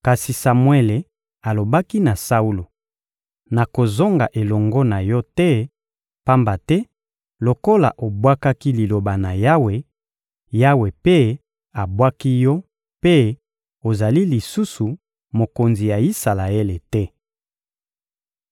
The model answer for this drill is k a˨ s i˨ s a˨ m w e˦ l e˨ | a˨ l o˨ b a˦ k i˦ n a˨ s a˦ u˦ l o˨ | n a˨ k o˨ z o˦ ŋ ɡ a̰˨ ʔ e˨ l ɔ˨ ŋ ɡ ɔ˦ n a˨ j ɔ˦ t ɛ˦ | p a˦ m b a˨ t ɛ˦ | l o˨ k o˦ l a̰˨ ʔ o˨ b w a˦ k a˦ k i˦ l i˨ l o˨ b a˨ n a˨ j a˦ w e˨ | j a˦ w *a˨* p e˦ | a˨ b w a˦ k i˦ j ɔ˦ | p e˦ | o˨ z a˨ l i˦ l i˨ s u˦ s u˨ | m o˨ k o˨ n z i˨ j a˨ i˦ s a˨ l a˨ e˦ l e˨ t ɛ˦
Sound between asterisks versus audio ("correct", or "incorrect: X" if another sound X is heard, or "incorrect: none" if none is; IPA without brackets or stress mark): incorrect: e˨